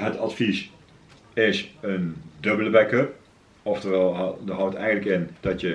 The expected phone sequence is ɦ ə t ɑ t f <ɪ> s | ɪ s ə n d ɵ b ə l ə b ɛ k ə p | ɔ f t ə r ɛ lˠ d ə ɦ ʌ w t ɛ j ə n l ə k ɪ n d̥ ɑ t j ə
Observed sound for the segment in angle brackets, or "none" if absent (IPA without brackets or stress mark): i